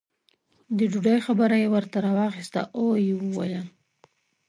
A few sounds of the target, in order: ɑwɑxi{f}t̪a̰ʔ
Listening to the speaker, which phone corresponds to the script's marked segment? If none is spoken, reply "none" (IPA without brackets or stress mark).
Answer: s